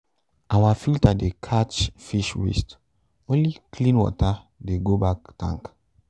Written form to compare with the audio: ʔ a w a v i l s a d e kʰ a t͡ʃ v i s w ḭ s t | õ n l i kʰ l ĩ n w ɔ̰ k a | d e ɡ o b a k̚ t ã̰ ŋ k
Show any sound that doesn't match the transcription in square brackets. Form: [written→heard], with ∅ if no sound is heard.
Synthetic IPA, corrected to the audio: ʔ a w a [v→f] i l [s→t] a d e kʰ a t͡ʃ [v→f] i [s→ʃ] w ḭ s t | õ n l i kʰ l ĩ n w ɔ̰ [k→t] a | d e ɡ o b a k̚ t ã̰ ŋ k